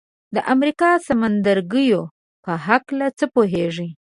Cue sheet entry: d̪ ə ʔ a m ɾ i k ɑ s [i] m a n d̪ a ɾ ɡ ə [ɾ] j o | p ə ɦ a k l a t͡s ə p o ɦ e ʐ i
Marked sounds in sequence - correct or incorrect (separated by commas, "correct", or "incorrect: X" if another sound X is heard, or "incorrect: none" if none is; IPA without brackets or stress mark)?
incorrect: a, incorrect: none